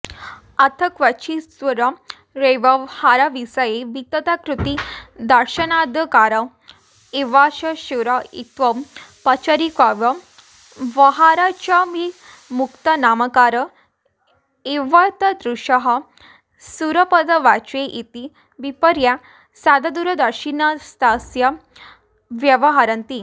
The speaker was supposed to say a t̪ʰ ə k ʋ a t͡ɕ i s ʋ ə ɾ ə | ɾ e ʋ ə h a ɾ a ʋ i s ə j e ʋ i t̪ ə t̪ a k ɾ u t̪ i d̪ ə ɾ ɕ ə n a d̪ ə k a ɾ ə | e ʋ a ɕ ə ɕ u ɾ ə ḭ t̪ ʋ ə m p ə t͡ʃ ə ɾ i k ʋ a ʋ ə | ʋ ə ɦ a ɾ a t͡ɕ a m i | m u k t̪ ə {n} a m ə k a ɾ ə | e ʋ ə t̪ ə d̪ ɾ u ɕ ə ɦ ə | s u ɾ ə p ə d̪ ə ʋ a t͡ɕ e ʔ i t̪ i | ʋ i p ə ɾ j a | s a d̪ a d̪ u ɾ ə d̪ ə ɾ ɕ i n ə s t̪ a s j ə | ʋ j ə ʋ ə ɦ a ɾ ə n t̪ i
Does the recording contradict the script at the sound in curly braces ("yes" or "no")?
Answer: no